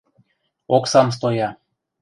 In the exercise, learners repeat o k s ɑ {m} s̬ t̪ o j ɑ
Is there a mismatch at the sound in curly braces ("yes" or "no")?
no